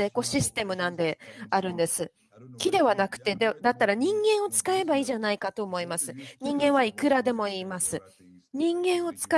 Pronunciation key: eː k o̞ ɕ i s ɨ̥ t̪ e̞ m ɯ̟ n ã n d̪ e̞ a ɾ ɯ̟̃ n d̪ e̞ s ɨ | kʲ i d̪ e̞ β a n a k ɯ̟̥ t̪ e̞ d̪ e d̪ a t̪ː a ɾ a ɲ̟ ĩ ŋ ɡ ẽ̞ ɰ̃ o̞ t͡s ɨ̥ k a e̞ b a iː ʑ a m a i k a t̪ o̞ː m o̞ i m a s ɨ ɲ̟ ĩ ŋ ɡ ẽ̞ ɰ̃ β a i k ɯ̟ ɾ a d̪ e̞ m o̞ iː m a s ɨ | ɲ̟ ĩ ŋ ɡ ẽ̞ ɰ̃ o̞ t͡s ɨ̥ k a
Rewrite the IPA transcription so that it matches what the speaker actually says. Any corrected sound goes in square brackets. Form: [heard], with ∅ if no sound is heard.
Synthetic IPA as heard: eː k o̞ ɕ i s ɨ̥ t̪ e̞ m ɯ̟ n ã n d̪ e̞ a ɾ ɯ̟̃ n d̪ e̞ s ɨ | kʲ i d̪ e̞ β a n a k ɯ̟̥ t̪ e̞ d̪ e d̪ a t̪ː a ɾ a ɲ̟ ĩ ŋ ɡ ẽ̞ ɰ̃ o̞ t͡s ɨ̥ k a e̞ b a iː ʑ a [n] a i k a t̪ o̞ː m o̞ i m a s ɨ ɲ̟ ĩ ŋ ɡ ẽ̞ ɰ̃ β a i k ɯ̟ ɾ a d̪ e̞ m o̞ iː m a s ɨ | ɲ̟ ĩ ŋ ɡ ẽ̞ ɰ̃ o̞ t͡s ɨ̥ k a